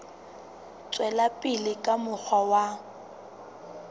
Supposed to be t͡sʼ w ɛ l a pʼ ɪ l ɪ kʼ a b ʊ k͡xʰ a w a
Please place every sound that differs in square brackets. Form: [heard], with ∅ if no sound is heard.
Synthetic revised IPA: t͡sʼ w ɛ l a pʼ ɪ l ɪ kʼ a [m] ʊ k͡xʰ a w a